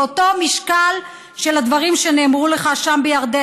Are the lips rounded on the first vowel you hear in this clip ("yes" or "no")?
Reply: yes